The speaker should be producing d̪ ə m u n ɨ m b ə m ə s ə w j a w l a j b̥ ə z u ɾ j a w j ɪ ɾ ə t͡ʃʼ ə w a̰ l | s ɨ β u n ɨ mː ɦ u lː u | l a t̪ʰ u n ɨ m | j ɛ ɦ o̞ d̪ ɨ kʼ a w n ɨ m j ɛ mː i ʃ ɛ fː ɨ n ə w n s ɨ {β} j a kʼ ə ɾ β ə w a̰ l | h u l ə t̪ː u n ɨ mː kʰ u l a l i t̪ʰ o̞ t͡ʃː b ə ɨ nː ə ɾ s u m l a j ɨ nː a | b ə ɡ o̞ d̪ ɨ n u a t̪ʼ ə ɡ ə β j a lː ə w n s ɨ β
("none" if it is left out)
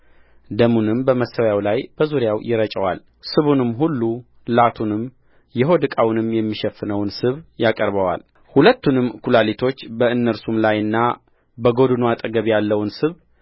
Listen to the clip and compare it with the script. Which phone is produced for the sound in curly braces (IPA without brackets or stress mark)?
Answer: β